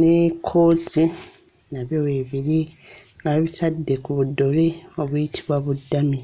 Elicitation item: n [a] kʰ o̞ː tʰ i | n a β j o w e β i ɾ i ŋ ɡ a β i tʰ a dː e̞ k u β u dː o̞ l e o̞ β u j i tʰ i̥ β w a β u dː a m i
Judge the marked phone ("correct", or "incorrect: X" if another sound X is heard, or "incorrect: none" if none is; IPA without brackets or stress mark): incorrect: e